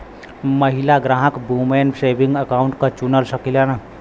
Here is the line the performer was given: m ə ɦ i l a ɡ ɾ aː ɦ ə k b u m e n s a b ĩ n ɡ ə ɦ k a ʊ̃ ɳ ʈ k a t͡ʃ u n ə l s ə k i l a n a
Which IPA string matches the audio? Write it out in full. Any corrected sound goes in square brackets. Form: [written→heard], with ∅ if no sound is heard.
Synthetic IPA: m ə ɦ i l a ɡ ɾ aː ɦ ə k b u m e n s [a→e] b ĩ [n→ŋ] ɡ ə [ɦ→∅] k a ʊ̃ ɳ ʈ k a t͡ʃ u n ə l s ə k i l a n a